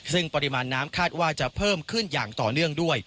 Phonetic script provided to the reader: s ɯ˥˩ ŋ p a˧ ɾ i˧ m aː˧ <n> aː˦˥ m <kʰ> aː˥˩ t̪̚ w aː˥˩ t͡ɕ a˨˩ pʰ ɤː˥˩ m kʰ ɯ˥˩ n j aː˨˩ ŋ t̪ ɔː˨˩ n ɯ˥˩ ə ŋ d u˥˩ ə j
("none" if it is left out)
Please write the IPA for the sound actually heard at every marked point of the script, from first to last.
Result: nː, kʰ

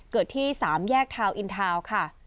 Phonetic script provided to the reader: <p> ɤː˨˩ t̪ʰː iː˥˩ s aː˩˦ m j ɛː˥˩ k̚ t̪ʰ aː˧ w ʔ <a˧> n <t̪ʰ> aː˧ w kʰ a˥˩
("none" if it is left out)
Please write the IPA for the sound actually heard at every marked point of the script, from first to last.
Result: k, i˧, t̪ʰ

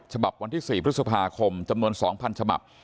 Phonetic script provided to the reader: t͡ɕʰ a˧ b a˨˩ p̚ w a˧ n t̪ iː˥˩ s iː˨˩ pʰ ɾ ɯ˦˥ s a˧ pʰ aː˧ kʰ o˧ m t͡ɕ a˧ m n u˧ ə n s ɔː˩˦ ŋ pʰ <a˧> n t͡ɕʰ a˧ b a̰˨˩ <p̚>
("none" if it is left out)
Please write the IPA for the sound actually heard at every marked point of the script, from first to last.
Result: a˧, p̚

